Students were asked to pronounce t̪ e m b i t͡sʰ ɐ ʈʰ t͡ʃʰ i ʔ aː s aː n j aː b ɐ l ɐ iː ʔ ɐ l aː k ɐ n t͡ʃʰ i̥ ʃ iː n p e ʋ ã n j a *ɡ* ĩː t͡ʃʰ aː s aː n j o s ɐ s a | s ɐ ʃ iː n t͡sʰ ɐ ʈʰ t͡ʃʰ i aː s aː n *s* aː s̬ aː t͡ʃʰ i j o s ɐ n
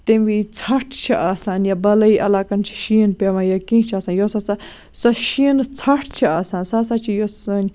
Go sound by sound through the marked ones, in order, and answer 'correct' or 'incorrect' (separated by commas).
incorrect, correct